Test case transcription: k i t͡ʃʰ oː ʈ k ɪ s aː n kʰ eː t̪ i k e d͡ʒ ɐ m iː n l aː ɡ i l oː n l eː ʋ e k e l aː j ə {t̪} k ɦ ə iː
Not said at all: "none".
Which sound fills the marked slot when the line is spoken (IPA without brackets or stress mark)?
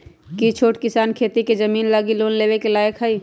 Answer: none